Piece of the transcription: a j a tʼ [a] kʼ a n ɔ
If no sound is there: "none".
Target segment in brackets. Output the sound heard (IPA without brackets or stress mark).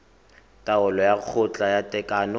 ɛ